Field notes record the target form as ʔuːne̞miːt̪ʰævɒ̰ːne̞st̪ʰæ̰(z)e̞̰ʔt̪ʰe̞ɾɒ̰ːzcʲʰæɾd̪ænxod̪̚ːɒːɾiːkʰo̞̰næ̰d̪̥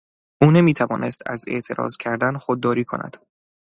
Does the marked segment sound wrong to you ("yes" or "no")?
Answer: no